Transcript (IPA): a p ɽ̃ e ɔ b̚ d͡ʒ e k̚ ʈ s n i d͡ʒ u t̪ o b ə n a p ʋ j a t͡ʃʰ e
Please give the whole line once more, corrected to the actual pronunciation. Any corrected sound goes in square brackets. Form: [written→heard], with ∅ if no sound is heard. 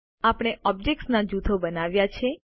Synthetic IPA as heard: a p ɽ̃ e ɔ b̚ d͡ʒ e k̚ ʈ s n [i→a] d͡ʒ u [t̪→t̪ʰ] o b ə n a [p→∅] ʋ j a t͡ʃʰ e